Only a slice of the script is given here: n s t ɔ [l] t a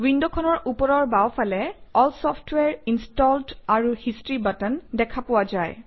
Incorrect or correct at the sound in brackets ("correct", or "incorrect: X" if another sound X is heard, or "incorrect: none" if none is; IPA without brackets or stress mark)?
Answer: correct